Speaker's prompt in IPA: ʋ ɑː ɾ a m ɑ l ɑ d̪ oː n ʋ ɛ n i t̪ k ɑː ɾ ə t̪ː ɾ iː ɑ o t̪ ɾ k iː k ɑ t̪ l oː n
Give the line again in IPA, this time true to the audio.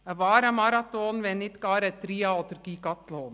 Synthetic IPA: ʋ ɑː ɾ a m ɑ ɾ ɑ t̪ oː n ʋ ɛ n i t̪ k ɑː ɾ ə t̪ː ɾ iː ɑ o t̪ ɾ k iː k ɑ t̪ l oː n